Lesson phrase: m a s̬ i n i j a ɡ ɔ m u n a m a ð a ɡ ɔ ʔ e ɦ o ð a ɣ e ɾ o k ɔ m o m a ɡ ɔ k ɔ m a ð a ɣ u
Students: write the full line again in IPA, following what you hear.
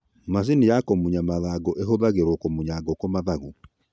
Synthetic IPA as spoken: m a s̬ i n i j a k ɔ m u ɲ a m a ð a ɡ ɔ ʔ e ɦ o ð a ɣ e ɾ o k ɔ m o ɲ a ɡ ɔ k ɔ m a ð a ɣ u